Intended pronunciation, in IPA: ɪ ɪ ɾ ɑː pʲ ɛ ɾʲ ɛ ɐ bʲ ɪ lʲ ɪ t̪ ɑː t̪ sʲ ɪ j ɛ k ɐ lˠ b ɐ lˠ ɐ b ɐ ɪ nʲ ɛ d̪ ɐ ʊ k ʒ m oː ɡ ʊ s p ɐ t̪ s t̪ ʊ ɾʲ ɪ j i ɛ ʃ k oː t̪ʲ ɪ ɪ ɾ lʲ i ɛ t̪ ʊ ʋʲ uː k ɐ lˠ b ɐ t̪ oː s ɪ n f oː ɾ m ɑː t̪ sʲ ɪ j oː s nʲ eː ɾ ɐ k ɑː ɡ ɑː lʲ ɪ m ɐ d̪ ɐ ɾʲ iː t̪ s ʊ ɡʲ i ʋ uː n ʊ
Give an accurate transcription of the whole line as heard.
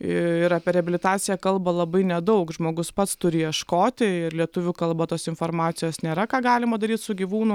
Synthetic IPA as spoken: ɪ ɪ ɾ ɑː pʲ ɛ ɾʲ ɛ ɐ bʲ ɪ lʲ ɪ t̪ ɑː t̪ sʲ ɪ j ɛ k ɐ lˠ b ɐ lˠ ɐ b ɐ ɪ nʲ ɛ d̪ ɐ ʊ k ʒ m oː ɡ ʊ s p ɐ t̪ s t̪ ʊ ɾʲ ɪ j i ɛ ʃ k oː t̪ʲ ɪ ɪ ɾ lʲ i ɛ t̪ ʊ ʋʲ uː k ɐ lˠ b ɐ t̪ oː s ɪ n f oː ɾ m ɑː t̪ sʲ ɪ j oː s nʲ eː ɾ ɐ k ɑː ɡ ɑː lʲ ɪ m ɐ d̪ ɐ ɾʲ iː t̪ s ʊ ɡʲ i ʋ uː n ʊ